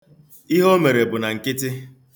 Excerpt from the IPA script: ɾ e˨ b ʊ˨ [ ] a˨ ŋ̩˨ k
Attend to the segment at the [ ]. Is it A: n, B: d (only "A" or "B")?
A